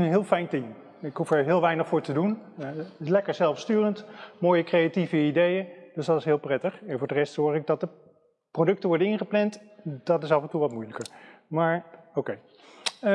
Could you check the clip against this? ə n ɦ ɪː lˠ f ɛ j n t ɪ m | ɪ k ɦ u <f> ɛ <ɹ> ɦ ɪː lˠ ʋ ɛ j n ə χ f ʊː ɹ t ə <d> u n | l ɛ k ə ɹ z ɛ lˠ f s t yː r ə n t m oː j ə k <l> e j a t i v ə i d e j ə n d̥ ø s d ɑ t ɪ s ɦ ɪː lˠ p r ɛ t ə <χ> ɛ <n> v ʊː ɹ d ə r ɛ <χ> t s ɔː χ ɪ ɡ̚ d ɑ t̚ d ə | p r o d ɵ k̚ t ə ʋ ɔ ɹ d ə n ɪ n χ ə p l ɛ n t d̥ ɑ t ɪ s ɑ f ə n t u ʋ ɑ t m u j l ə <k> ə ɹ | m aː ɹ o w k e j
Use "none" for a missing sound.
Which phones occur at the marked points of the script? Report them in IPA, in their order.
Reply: f, ɹ, d, r, χ, n, s, k

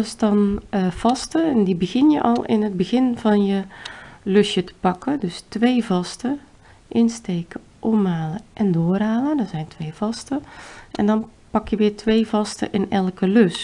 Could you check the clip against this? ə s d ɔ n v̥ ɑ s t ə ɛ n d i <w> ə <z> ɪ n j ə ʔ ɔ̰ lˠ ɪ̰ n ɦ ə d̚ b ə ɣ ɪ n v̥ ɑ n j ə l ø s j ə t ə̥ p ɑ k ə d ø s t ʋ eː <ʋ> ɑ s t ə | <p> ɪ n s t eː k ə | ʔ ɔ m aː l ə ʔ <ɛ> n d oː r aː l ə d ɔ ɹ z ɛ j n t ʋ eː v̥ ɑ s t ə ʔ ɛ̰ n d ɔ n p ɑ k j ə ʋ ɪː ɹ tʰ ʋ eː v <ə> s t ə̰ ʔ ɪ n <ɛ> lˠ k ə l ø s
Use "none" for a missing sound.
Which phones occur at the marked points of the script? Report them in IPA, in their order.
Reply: b, ɣ, v, ʔ, ɛ, ɑ, ɛ

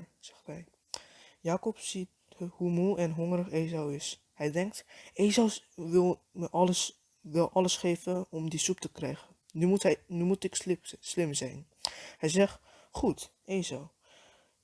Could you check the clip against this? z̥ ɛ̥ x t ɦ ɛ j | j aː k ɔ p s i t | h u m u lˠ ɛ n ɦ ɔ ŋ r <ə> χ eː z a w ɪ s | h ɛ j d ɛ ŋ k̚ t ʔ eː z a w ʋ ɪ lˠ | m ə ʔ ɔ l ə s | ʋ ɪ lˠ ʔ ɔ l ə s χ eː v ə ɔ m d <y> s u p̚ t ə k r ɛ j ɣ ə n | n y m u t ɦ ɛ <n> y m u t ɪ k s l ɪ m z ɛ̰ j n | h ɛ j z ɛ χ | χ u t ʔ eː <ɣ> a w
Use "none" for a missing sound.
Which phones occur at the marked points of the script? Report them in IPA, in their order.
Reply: ə, i, n, z

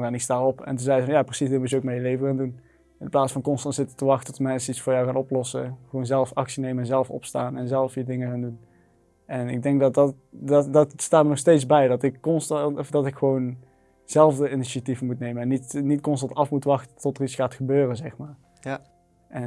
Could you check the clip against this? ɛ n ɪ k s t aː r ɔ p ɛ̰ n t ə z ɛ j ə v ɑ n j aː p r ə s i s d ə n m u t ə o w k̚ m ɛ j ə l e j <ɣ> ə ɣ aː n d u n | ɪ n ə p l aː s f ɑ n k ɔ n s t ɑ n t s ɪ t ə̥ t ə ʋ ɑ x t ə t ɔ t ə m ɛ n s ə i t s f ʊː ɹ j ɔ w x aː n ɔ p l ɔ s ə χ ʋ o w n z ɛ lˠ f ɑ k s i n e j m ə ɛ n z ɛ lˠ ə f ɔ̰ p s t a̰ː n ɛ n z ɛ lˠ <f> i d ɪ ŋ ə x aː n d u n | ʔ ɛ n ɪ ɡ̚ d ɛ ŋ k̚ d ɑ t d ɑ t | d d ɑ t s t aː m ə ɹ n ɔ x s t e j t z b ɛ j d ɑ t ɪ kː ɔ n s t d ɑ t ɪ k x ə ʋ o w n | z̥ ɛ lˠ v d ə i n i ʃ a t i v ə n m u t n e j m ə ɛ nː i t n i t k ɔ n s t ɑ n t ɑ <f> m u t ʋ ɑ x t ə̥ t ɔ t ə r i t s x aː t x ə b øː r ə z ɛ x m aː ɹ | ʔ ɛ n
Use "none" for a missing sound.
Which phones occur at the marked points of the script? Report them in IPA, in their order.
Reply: v, f, f

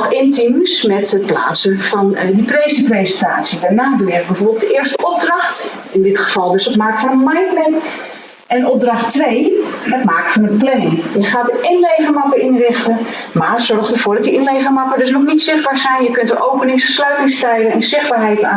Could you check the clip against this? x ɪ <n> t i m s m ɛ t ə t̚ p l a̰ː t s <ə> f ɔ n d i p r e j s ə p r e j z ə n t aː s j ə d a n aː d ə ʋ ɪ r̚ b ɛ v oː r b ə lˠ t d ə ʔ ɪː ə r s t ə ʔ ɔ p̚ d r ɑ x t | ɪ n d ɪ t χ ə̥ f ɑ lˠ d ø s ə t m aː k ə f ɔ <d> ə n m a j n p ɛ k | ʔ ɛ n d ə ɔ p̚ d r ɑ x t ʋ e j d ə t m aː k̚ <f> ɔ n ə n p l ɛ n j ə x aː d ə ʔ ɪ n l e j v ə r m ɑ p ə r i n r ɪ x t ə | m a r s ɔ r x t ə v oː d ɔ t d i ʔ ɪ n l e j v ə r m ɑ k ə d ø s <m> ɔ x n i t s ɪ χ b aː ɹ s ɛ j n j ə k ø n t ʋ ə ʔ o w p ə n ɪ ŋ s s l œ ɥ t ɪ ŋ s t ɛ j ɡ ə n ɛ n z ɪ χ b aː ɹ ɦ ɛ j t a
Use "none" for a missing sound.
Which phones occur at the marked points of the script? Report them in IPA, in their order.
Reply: n, ə, n, f, n

